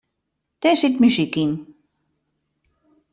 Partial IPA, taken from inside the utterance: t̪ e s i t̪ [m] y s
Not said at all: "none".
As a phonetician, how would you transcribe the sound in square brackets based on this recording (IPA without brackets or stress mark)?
m